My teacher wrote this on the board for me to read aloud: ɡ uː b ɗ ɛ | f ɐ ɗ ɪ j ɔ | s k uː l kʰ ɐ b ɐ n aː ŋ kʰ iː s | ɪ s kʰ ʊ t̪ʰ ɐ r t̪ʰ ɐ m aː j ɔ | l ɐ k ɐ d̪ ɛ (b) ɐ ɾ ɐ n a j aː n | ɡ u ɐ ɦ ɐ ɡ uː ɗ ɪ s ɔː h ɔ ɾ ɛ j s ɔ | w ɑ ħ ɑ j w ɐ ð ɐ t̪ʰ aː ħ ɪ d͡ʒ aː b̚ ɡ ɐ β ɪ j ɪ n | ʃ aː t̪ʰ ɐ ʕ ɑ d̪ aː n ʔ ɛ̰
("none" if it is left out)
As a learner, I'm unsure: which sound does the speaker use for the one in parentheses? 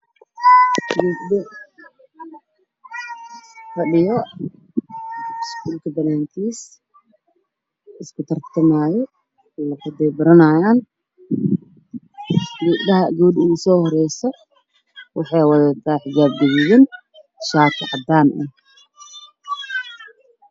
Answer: b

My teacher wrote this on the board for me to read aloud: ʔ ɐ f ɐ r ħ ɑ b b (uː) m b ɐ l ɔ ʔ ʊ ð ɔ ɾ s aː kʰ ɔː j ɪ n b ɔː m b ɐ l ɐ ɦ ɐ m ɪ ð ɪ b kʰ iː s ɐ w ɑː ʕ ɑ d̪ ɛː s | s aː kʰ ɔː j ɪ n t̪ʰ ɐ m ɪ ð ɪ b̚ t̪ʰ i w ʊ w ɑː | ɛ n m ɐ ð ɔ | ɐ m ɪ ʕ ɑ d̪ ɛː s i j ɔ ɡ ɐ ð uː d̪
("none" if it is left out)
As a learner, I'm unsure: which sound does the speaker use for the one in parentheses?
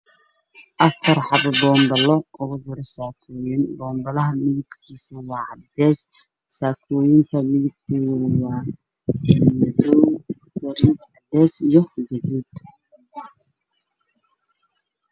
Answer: ɔː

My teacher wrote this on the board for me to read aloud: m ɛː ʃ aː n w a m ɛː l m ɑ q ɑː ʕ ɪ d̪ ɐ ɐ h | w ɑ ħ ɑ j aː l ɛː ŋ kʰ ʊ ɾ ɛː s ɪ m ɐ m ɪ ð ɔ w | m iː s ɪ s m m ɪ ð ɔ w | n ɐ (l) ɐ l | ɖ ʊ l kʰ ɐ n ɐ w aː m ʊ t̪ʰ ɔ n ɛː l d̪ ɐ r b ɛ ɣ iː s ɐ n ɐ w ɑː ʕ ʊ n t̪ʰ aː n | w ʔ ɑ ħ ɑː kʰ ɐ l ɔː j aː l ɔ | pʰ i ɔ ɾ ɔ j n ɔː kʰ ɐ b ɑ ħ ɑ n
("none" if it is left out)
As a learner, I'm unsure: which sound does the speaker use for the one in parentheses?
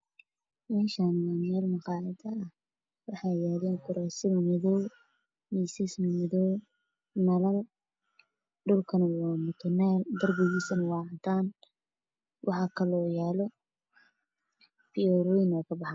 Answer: l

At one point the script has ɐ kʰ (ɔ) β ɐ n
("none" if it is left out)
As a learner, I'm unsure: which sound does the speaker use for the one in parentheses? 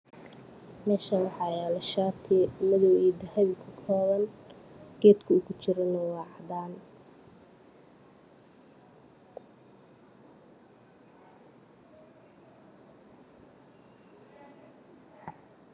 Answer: ɔː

